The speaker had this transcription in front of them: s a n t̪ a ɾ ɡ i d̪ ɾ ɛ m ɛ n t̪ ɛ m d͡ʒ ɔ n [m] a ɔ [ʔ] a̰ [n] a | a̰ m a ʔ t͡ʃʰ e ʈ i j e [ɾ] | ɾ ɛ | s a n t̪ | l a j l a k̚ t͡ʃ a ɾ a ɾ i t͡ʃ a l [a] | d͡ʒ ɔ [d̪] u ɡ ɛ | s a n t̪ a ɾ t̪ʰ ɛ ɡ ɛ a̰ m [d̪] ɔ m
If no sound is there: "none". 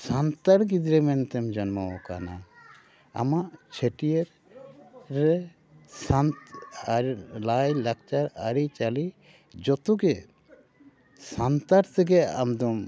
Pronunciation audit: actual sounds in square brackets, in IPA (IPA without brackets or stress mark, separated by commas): m, k, n, ɾ, i, t̪, d̪